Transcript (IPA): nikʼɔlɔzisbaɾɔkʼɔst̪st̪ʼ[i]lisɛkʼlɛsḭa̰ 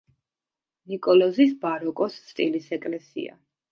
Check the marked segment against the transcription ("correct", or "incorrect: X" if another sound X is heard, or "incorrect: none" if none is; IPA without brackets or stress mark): correct